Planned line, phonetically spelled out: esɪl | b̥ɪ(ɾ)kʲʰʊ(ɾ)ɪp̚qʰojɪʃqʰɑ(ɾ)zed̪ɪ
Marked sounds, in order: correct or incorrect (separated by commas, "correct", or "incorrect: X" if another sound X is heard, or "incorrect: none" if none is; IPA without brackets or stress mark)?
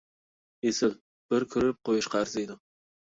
correct, correct, correct